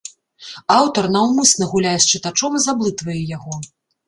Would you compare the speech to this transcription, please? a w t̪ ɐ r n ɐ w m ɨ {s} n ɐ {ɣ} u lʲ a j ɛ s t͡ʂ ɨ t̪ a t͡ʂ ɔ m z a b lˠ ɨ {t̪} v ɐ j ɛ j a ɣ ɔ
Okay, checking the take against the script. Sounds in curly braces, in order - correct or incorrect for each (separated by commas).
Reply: correct, correct, correct